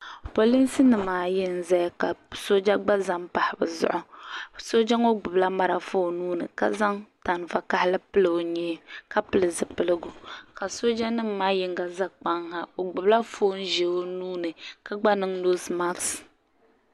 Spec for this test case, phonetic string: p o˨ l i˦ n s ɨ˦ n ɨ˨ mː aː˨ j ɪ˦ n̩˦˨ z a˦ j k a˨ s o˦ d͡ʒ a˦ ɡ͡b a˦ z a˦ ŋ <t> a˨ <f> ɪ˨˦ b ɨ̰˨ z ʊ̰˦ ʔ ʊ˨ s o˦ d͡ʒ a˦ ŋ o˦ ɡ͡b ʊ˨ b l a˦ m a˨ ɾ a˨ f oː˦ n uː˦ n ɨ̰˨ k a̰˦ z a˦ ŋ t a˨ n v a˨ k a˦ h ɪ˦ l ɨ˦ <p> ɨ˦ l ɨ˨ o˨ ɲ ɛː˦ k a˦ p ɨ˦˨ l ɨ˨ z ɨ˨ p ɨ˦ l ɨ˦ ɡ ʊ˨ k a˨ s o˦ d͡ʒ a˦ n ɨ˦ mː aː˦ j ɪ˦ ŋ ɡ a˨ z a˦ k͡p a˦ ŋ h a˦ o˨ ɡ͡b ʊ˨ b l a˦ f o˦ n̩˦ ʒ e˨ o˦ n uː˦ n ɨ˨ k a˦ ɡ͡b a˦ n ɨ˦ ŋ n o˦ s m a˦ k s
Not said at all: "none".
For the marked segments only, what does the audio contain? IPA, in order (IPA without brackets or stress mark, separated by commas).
p, h, p